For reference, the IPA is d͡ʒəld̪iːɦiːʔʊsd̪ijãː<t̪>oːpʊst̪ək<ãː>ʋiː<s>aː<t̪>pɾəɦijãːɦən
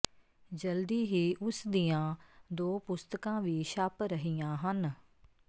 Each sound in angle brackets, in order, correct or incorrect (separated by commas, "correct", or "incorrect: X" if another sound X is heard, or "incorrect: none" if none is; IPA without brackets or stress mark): incorrect: d̪, correct, incorrect: ʃ, incorrect: none